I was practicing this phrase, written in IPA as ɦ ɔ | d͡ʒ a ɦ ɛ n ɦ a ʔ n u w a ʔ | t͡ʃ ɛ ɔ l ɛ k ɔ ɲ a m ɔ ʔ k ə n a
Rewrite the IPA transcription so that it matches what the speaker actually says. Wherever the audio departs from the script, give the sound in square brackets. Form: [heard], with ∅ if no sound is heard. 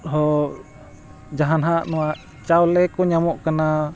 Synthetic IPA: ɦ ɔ | d͡ʒ a ɦ [a] n ɦ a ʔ n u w a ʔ | t͡ʃ [a] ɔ l ɛ k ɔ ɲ a m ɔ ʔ k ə n a